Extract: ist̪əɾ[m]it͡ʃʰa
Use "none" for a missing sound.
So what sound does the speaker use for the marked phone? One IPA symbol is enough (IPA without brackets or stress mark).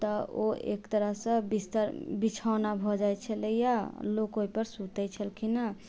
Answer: b